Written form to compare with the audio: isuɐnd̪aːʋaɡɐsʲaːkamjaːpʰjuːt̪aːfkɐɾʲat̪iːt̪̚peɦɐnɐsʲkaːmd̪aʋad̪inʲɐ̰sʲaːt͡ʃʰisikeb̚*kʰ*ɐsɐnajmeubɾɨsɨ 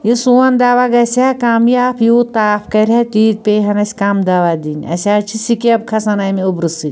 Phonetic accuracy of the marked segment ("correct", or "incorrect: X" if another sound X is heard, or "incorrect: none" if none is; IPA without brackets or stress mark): correct